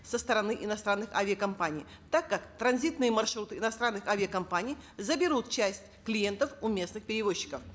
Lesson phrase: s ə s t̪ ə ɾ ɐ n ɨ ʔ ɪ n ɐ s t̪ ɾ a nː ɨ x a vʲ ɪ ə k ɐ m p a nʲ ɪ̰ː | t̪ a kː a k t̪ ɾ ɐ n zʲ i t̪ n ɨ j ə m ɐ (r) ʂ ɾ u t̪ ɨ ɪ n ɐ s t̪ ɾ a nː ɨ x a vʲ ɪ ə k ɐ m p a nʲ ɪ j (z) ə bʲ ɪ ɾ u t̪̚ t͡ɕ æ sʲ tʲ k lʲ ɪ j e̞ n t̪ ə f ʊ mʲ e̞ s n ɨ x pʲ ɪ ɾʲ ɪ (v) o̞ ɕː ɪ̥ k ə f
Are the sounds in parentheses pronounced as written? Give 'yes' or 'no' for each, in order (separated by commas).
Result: yes, yes, yes